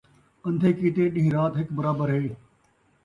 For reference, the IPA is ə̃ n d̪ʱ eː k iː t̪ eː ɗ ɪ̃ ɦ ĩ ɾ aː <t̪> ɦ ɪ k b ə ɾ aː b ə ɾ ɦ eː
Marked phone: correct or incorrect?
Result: correct